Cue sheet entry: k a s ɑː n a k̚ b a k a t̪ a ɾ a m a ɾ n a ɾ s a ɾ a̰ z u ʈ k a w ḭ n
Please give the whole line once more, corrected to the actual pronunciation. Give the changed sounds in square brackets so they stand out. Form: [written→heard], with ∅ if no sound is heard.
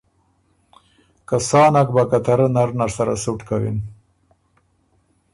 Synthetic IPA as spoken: k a s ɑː n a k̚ b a k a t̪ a ɾ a [m→n] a ɾ n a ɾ s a ɾ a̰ [z→s] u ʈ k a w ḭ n